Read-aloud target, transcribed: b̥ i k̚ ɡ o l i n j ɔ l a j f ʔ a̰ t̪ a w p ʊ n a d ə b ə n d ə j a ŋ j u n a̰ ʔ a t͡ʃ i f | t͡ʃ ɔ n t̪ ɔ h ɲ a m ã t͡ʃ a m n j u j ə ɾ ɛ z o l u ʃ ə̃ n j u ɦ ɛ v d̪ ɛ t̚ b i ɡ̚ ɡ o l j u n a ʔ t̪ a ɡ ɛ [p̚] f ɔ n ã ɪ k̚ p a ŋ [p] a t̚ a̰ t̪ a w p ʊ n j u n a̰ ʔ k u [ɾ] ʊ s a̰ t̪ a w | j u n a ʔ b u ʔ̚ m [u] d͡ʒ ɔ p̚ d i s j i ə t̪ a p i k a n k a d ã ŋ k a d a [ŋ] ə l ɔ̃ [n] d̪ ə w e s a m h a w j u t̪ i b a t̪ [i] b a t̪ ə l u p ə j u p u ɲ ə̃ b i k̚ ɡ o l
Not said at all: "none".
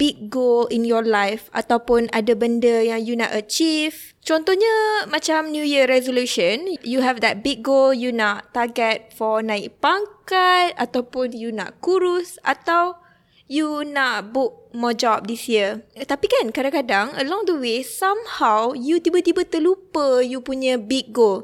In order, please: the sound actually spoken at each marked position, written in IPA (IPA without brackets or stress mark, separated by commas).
t̚, k, ɾ, ɔ, ŋ, ŋ, i